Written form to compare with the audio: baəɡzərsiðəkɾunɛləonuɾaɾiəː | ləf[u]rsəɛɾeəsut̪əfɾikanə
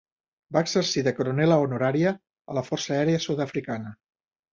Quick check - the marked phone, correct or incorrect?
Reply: incorrect